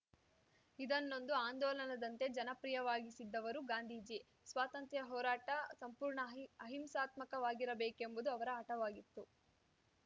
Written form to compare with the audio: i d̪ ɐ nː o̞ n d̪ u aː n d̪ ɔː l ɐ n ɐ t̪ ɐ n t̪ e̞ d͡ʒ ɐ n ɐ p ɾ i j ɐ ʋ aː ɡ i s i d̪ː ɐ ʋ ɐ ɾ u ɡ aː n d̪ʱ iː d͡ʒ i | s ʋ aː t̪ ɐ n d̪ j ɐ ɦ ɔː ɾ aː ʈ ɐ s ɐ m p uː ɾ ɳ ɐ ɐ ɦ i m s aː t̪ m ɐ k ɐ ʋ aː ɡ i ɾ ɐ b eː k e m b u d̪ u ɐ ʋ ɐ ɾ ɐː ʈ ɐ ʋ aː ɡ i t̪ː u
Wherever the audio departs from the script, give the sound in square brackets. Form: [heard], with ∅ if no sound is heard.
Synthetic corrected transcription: i d̪ ɐ nː o̞ n d̪ u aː n d̪ ɔː l ɐ n ɐ [d̪] ɐ n t̪ e̞ d͡ʒ ɐ n ɐ p ɾ i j ɐ ʋ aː ɡ i s i d̪ː ɐ ʋ ɐ ɾ u ɡ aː n d̪ʱ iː d͡ʒ i | s ʋ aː t̪ ɐ n [t̪] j ɐ ɦ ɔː ɾ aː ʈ ɐ s ɐ m p uː ɾ ɳ ɐ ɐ ɦ i m s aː t̪ m ɐ k ɐ ʋ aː ɡ i ɾ ɐ b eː k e m b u d̪ u ɐ ʋ ɐ ɾ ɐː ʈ ɐ ʋ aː ɡ i t̪ː u

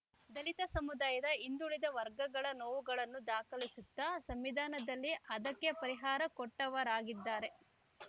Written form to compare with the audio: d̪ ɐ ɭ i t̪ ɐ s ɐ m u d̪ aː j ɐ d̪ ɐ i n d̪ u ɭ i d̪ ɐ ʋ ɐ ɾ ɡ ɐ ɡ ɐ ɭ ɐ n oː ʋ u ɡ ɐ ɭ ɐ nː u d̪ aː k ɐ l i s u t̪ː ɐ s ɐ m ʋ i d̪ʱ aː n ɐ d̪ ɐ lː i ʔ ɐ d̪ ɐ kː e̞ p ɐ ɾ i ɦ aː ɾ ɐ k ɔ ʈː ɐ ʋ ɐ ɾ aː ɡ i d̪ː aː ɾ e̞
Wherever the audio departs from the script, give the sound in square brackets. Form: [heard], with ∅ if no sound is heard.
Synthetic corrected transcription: d̪ ɐ [l] i t̪ ɐ s ɐ m u d̪ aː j ɐ d̪ ɐ i n d̪ u ɭ i d̪ ɐ ʋ ɐ ɾ ɡ ɐ ɡ ɐ ɭ ɐ n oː ʋ u ɡ ɐ ɭ ɐ nː u d̪ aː k ɐ l i s u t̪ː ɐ s ɐ m ʋ i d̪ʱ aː n ɐ d̪ ɐ lː i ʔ ɐ d̪ ɐ kː e̞ p ɐ ɾ i ɦ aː ɾ ɐ k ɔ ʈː ɐ ʋ ɐ ɾ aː ɡ i d̪ː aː ɾ e̞

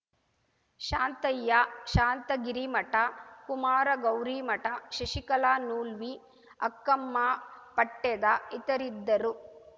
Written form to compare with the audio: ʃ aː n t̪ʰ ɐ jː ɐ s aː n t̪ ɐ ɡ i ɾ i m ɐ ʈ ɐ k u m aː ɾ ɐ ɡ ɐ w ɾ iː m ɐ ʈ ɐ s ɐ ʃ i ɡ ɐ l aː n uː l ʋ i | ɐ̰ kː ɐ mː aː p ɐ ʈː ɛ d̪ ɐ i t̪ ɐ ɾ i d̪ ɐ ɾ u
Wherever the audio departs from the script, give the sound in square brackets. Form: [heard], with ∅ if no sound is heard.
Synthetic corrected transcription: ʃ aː n [t̪] ɐ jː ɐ [ʃ] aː n t̪ ɐ ɡ i ɾ i m ɐ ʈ ɐ k u m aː ɾ ɐ ɡ ɐ w ɾ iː m ɐ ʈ ɐ [ʃ] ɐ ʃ i [k] ɐ l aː n uː l ʋ i | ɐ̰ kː ɐ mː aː p ɐ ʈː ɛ d̪ ɐ i t̪ ɐ ɾ i [d̪ː] ɐ ɾ u

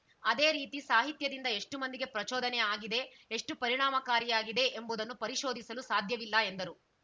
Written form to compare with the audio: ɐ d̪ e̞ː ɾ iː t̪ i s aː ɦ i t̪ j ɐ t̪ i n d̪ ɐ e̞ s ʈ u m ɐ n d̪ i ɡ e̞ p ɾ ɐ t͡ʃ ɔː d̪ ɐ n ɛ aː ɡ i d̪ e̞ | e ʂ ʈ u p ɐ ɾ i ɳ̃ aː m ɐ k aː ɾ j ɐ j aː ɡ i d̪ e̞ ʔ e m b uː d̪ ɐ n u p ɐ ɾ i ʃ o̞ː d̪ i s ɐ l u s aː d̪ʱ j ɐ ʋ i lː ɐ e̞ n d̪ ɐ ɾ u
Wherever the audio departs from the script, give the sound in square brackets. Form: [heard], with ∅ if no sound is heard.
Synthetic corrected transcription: ɐ d̪ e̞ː ɾ iː t̪ i s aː ɦ i t̪ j ɐ [d̪] i n d̪ ɐ e̞ [ʂ] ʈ u m ɐ n d̪ i ɡ e̞ p ɾ ɐ t͡ʃ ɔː d̪ ɐ n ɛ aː ɡ i d̪ e̞ | e ʂ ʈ u p ɐ ɾ i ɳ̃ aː m ɐ k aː ɾ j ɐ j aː ɡ i d̪ e̞ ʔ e m b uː d̪ ɐ [nː] u p ɐ ɾ i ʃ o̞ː d̪ i s ɐ l u s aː d̪ʱ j ɐ ʋ i lː ɐ e̞ n d̪ ɐ ɾ u

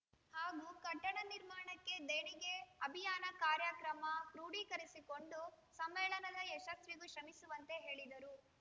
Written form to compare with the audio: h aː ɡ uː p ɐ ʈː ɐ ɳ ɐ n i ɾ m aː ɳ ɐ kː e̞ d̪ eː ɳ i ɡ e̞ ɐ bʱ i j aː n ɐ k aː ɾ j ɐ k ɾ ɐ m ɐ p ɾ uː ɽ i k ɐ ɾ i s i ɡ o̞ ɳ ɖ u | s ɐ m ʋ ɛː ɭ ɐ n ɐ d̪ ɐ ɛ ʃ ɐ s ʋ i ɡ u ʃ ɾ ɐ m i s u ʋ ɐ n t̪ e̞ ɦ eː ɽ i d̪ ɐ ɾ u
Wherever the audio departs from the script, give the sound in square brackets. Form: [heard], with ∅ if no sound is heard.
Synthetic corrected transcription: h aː ɡ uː [k] ɐ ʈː ɐ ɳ ɐ n i ɾ m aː ɳ ɐ kː e̞ d̪ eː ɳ i ɡ e̞ ɐ bʱ i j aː n ɐ k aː ɾ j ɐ k ɾ ɐ m ɐ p ɾ uː ɽ i k ɐ ɾ i s i [k] o̞ ɳ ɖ u | s ɐ m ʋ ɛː ɭ ɐ n ɐ d̪ ɐ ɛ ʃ ɐ s ʋ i ɡ u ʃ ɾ ɐ m i s u ʋ ɐ n t̪ e̞ ɦ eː [ɭ] i d̪ ɐ ɾ u

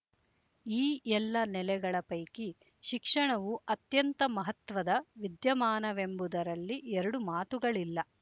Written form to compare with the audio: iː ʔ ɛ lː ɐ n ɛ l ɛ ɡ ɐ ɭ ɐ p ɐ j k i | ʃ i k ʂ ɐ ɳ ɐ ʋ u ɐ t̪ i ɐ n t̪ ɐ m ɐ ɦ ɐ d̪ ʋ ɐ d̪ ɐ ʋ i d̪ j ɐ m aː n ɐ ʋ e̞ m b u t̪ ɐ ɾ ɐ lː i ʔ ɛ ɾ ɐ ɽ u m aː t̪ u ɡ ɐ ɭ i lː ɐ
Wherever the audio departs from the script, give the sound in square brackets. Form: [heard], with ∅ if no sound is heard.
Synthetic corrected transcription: iː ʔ ɛ lː ɐ n ɛ l ɛ ɡ ɐ ɭ ɐ p ɐ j k i | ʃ i k ʂ ɐ ɳ ɐ ʋ u ɐ t̪ [j] ɐ n t̪ ɐ m ɐ ɦ ɐ [t̪] ʋ ɐ d̪ ɐ ʋ i d̪ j ɐ m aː n ɐ ʋ e̞ m b u [d̪] ɐ ɾ ɐ lː i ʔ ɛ ɾ ɐ ɽ u m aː t̪ u ɡ ɐ ɭ i lː ɐ

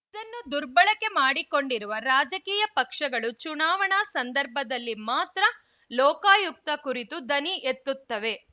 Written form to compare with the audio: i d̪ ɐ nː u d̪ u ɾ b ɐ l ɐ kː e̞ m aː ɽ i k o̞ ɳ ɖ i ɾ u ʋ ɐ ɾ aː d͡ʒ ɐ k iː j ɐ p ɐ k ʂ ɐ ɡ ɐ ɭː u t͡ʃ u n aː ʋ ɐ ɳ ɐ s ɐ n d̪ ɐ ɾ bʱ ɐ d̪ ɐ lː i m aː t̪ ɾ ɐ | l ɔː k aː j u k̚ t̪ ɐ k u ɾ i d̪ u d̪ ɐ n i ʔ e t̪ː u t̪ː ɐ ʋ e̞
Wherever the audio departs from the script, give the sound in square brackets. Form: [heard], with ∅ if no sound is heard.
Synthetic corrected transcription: i d̪ ɐ nː u d̪ u ɾ b ɐ [ɭ] ɐ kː e̞ m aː ɽ i k o̞ ɳ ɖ i ɾ u ʋ ɐ ɾ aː d͡ʒ ɐ k iː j ɐ p ɐ k ʂ ɐ ɡ ɐ [ɭ] u t͡ʃ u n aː ʋ ɐ ɳ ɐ s ɐ n d̪ ɐ ɾ bʱ ɐ d̪ ɐ lː i m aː t̪ ɾ ɐ | l ɔː k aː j u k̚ t̪ ɐ k u ɾ i [t̪] u d̪ ɐ n i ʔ e t̪ː u t̪ː ɐ ʋ e̞

